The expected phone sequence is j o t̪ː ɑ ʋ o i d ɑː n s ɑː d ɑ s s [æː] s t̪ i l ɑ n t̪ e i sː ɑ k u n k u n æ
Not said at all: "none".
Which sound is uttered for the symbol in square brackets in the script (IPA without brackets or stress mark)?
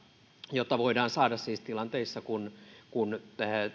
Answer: iː